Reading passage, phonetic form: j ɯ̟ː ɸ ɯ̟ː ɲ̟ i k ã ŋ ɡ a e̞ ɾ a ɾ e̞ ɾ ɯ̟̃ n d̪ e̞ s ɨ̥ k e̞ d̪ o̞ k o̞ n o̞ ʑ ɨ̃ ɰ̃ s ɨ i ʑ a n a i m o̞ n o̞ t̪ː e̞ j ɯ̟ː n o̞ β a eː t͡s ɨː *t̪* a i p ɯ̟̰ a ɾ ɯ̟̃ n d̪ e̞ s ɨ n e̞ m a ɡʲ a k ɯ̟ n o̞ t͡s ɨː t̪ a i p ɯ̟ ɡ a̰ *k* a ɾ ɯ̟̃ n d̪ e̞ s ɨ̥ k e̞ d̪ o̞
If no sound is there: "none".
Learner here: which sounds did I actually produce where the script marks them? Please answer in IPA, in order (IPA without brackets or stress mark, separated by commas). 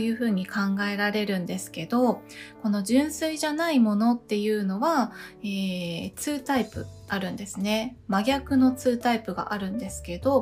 t̪, ʔ